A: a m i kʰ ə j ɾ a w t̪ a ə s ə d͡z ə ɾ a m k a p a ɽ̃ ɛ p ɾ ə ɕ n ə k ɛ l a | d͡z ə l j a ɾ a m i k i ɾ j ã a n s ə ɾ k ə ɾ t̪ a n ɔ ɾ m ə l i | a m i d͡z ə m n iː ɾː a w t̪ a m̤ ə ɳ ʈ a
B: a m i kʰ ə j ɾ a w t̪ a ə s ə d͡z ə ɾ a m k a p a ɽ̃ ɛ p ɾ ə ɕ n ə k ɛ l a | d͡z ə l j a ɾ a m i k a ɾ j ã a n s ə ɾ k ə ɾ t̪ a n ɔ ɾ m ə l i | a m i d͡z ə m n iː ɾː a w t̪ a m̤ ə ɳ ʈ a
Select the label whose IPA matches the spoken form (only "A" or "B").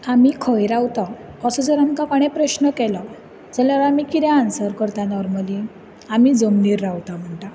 A